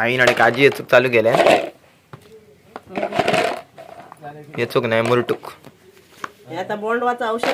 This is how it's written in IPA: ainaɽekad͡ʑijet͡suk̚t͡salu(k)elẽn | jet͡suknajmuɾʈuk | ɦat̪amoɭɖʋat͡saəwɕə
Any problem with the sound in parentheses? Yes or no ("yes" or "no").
yes